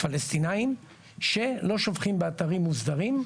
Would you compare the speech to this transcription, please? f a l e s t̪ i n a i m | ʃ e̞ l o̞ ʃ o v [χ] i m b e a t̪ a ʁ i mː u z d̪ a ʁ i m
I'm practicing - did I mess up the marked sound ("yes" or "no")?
no